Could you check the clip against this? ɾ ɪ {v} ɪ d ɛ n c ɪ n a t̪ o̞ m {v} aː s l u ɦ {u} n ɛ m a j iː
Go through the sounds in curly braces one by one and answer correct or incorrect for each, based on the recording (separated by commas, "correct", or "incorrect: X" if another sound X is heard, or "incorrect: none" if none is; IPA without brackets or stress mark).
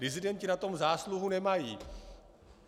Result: incorrect: z, incorrect: z, correct